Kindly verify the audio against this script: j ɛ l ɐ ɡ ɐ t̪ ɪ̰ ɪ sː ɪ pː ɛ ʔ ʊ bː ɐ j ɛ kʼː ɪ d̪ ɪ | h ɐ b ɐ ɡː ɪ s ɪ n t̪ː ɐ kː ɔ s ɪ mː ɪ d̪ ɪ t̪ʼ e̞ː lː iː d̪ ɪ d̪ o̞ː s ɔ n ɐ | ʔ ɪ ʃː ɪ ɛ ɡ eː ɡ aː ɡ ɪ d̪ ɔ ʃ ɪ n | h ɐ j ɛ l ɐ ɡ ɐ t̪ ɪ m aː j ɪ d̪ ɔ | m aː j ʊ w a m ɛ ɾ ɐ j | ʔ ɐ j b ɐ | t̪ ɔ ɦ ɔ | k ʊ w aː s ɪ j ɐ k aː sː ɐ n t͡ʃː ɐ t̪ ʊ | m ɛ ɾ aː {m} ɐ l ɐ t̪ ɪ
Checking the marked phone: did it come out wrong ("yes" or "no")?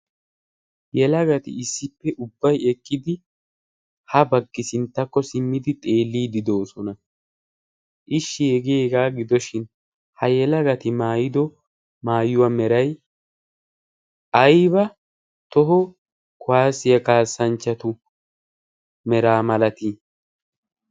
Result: no